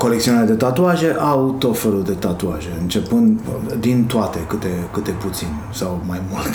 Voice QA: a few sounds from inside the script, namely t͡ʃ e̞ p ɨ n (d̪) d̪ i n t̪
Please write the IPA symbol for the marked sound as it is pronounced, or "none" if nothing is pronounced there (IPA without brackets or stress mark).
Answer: d̪